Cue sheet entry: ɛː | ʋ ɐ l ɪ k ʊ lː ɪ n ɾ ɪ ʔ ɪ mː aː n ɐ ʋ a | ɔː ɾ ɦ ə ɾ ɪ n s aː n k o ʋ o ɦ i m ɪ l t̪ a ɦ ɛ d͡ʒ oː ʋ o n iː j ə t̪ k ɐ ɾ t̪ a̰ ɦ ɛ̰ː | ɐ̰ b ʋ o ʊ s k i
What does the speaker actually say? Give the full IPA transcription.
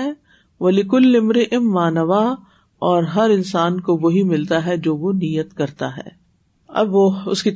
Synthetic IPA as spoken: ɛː | ʋ ɐ l ɪ k ʊ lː ɪ m ɾ ɪ ʔ ɪ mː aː n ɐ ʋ a | ɔː ɾ ɦ ɐ ɾ ɪ n s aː n k o ʋ o ɦ i m ɪ l t̪ a ɦ ɛ d͡ʒ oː ʋ o n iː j ə t̪ k ɐ ɾ t̪ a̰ ɦ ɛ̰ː | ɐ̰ b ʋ o ʊ s k i